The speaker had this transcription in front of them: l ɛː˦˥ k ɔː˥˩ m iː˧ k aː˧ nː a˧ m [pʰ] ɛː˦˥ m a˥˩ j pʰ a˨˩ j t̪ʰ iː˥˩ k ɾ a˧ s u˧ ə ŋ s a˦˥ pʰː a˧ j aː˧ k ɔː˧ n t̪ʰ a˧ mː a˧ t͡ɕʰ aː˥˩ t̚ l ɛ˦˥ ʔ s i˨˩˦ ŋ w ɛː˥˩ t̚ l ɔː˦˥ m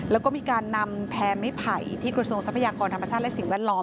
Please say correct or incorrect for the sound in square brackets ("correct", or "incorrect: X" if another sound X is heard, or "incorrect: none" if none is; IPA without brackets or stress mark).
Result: correct